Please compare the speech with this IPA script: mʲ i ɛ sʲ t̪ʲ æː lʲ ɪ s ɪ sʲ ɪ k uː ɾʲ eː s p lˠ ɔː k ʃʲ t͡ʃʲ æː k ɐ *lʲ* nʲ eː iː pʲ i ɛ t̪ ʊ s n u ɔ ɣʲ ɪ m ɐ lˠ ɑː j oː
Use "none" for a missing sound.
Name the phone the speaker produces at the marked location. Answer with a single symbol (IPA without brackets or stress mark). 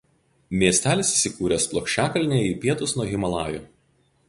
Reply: lʲ